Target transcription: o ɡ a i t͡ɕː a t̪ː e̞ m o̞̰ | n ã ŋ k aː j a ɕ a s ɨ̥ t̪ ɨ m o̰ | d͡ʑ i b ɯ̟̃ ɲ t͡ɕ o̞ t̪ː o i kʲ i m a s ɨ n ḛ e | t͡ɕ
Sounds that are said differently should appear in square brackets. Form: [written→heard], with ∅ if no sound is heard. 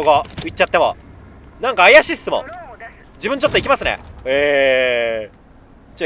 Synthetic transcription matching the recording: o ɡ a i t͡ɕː a t̪ː e̞ m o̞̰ | n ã ŋ k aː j a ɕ [a→i] s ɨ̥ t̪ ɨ m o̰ | d͡ʑ i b ɯ̟̃ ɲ t͡ɕ o̞ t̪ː o i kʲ i m a s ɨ n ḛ e | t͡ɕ